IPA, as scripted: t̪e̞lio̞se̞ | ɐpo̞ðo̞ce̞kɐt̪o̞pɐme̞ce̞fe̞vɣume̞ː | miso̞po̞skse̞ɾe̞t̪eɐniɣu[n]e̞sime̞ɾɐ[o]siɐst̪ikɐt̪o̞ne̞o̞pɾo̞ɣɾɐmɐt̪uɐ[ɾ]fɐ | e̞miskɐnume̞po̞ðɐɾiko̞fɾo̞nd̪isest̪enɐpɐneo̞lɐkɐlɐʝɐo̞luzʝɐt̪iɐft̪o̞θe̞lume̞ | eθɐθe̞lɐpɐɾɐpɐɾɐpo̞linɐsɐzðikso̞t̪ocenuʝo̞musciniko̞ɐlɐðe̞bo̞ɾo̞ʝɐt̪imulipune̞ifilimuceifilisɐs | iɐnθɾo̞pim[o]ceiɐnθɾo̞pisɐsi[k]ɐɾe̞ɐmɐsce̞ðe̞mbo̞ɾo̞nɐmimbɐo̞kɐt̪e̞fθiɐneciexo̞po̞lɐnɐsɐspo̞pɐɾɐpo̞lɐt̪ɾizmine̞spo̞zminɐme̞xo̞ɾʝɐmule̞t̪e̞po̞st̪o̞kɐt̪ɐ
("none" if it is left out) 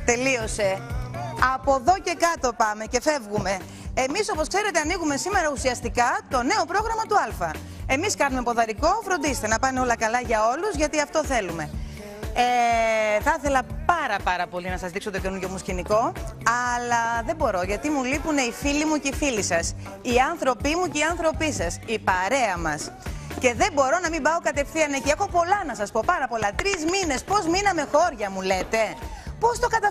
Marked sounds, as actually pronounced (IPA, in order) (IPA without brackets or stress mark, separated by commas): m, u, l, u, p